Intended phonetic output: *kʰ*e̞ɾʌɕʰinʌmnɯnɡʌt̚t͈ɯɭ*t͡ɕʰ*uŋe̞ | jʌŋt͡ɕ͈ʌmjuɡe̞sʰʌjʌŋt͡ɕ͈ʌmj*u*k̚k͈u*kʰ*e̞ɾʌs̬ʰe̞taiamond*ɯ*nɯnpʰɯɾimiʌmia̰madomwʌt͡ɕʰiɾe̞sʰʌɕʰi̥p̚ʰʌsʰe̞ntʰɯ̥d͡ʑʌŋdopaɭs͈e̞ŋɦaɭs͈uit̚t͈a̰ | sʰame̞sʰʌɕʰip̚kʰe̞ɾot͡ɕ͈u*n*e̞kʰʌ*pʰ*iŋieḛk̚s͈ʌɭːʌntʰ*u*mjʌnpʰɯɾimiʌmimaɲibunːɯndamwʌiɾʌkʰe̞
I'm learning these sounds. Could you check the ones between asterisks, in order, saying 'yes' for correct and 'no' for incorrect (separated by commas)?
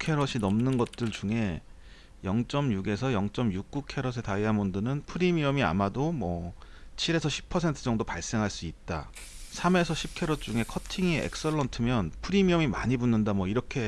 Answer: yes, no, yes, yes, yes, no, no, no